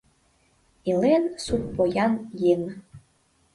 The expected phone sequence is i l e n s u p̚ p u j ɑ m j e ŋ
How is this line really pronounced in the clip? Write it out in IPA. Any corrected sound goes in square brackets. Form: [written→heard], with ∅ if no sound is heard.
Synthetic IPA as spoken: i l e n s u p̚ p [u→o] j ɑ [m→n] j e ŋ